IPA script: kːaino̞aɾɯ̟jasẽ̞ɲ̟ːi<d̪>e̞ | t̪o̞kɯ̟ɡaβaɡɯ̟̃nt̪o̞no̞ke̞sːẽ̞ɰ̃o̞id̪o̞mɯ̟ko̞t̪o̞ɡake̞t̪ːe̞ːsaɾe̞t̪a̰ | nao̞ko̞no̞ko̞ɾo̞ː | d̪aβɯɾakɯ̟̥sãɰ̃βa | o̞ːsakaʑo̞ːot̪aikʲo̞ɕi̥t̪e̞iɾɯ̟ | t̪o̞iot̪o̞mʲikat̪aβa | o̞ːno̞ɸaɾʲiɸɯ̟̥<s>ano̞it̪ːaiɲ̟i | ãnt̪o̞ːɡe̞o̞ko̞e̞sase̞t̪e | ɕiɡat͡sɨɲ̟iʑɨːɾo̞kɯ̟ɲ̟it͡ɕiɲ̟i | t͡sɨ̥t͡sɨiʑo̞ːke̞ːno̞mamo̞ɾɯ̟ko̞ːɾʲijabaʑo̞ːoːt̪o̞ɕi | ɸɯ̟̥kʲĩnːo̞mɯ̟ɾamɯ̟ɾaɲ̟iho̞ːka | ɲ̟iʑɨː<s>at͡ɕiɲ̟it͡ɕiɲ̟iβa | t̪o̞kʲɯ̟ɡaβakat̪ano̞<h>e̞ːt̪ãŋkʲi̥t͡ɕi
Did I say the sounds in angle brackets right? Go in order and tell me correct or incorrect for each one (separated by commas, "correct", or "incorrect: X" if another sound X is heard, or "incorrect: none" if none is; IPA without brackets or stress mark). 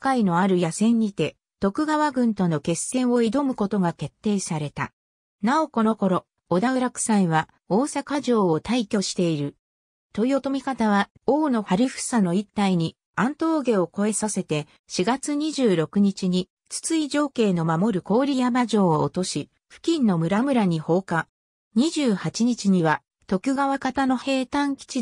incorrect: t̪, correct, incorrect: h, correct